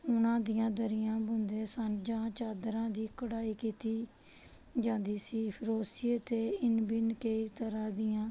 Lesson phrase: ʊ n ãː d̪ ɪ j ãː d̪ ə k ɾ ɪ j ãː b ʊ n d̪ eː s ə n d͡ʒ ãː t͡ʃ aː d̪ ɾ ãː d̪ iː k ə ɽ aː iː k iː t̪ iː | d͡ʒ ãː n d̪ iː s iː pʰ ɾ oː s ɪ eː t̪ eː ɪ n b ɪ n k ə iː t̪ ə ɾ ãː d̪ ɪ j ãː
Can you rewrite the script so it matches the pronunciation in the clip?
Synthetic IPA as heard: ʊ n ãː d̪ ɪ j ãː d̪ ə ɾ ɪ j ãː b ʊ n d̪ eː s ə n d͡ʒ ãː t͡ʃ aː d̪ ɾ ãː d̪ iː k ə ɽ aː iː k iː t̪ iː | d͡ʒ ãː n d̪ iː s iː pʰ ɾ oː s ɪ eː t̪ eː ɪ n b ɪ n k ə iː t̪ ə ɾ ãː d̪ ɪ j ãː